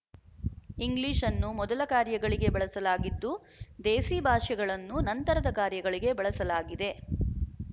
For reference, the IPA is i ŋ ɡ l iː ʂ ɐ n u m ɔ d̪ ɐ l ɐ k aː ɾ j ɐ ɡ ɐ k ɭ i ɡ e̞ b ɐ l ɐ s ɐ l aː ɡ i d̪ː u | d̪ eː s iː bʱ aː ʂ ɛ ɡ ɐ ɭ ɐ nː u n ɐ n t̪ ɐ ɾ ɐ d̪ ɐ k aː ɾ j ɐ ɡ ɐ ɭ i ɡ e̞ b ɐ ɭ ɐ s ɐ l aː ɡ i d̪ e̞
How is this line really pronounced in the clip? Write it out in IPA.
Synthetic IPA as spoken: i ŋ ɡ l iː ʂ ɐ nː u m ɔ d̪ ɐ l ɐ k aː ɾ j ɐ ɡ ɐ ɭ i ɡ e̞ b ɐ ɭ ɐ s ɐ l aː ɡ i d̪ː u | d̪ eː s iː bʱ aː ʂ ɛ ɡ ɐ ɭ ɐ nː u n ɐ n t̪ ɐ ɾ ɐ d̪ ɐ k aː ɾ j ɐ ɡ ɐ ɭ i ɡ e̞ b ɐ ɭ ɐ s ɐ l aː ɡ i d̪ e̞